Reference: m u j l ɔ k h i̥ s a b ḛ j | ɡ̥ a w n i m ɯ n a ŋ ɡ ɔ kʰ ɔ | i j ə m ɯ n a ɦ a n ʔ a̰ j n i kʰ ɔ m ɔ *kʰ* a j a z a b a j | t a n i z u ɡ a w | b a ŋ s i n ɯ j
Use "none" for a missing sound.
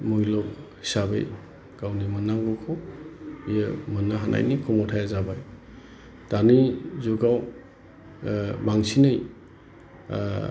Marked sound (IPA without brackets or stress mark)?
tʰ